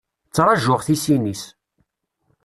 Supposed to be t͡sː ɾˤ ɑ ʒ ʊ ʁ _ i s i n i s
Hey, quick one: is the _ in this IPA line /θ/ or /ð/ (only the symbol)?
θ